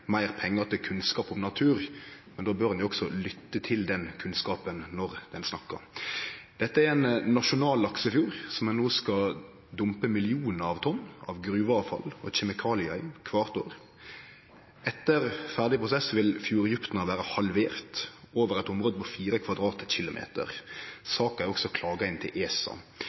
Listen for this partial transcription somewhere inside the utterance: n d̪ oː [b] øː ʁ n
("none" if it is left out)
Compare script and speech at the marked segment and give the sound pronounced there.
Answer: b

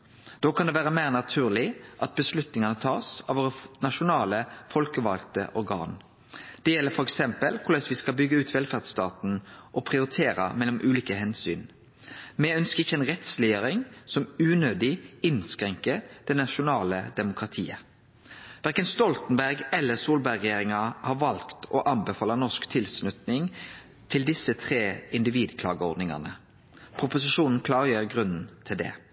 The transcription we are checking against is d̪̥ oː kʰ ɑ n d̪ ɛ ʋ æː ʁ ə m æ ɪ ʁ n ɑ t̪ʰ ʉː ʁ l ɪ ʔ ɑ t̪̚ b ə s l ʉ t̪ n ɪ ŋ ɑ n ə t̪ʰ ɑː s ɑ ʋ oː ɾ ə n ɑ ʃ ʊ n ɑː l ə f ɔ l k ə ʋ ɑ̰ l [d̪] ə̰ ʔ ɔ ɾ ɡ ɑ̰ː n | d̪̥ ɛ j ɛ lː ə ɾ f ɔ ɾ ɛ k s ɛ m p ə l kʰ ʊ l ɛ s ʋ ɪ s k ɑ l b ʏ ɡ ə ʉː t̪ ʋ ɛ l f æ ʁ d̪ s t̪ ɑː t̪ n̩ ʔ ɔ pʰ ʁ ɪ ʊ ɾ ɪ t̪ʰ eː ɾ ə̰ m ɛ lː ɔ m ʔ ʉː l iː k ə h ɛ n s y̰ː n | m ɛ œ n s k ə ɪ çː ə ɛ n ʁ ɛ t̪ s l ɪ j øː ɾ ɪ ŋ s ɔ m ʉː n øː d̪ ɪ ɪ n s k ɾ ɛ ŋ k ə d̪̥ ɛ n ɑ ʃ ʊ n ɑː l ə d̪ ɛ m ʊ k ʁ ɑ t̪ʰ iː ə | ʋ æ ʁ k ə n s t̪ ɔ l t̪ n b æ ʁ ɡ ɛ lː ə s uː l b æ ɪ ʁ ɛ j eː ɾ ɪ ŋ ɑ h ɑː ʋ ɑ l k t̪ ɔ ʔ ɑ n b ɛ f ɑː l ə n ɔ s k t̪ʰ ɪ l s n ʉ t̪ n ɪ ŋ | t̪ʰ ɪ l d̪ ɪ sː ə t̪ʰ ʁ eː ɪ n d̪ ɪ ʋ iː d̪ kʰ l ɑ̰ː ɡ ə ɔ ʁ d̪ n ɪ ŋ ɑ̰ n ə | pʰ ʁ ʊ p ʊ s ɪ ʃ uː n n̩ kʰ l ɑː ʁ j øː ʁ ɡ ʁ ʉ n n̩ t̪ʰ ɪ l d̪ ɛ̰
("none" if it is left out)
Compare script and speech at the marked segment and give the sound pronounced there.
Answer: t̪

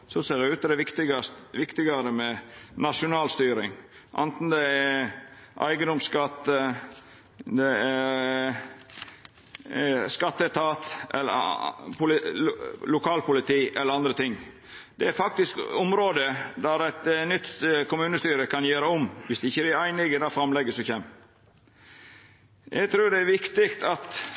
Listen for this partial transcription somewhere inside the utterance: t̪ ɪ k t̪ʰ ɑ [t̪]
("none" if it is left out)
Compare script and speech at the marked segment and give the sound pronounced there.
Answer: t̪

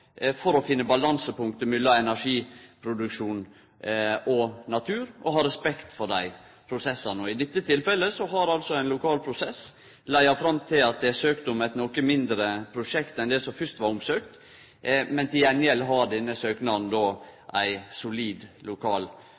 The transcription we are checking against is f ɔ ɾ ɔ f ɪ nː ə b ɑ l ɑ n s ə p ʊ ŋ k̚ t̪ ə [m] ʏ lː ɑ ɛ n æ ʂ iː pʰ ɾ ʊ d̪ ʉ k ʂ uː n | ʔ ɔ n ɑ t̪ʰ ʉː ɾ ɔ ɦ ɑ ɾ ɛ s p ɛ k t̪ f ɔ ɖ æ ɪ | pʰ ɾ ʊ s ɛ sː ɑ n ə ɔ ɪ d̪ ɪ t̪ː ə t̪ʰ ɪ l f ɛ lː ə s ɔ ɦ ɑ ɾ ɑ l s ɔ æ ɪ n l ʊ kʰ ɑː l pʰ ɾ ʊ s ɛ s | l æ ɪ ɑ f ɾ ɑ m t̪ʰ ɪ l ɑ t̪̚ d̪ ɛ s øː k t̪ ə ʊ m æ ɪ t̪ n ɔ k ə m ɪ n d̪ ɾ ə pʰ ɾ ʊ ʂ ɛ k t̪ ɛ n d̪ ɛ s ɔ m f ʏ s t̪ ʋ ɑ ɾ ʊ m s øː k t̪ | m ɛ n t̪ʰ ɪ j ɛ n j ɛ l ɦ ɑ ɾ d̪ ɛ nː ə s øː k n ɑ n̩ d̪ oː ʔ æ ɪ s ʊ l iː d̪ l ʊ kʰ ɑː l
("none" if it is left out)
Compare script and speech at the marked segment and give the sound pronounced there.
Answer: m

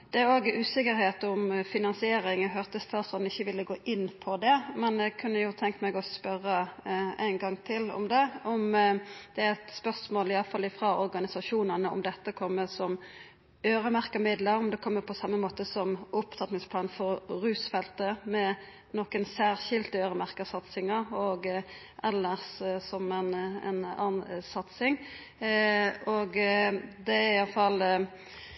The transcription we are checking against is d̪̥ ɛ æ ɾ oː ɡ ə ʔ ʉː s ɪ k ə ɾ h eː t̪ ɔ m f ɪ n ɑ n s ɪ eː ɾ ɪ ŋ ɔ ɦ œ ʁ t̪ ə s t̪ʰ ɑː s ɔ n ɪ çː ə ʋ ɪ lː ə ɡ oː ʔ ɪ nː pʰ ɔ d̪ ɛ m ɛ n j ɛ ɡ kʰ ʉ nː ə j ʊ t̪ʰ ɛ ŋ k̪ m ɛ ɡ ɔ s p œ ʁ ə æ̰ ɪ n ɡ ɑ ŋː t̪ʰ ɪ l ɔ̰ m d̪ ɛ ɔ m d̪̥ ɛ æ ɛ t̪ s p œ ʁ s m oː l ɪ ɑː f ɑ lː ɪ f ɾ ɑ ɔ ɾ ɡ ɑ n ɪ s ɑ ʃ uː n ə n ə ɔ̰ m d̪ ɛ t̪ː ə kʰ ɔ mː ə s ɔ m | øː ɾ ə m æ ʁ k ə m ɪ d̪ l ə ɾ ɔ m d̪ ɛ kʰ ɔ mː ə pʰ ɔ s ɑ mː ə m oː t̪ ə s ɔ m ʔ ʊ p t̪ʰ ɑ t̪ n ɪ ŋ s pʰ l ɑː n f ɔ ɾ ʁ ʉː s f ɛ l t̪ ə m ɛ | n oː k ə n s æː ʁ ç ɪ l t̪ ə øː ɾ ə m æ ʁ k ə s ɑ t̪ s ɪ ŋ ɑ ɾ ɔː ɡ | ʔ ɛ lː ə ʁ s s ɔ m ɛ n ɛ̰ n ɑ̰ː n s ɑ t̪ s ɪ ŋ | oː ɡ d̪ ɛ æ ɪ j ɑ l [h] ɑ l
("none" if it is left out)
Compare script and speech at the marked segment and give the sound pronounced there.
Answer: f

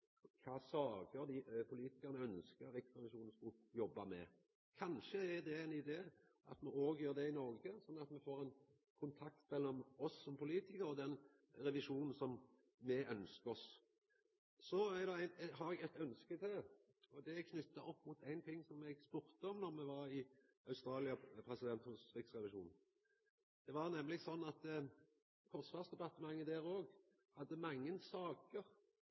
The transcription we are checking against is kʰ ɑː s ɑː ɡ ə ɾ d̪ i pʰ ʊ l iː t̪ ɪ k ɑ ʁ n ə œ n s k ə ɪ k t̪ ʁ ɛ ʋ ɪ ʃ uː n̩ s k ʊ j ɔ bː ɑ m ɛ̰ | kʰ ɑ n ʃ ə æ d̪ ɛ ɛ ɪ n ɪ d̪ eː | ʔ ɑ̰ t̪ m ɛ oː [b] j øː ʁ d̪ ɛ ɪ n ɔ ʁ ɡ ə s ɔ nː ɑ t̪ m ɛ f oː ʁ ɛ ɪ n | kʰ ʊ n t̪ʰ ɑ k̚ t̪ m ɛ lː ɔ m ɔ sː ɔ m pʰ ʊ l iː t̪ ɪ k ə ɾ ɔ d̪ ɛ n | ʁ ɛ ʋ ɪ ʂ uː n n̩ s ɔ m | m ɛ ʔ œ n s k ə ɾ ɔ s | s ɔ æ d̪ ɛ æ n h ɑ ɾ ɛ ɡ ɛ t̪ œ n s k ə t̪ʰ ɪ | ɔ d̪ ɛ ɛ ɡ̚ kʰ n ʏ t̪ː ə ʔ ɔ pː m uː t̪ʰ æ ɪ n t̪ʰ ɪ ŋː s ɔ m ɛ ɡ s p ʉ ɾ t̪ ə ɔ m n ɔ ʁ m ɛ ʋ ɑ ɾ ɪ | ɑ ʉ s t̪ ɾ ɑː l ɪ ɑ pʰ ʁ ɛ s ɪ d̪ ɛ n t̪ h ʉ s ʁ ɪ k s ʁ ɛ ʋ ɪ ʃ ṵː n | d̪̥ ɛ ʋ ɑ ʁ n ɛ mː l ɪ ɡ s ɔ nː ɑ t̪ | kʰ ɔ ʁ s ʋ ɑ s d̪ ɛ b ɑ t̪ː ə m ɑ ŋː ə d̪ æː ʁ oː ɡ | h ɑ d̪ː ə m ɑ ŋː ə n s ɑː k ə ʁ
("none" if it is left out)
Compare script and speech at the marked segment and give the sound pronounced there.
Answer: ɡ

